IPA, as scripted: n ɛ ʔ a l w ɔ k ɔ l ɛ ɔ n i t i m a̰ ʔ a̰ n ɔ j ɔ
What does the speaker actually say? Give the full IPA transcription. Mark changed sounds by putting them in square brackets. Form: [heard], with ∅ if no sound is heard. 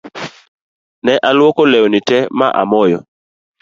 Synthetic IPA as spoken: n ɛ ʔ a l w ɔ k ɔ l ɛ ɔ n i t [ɛ] m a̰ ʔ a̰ [m] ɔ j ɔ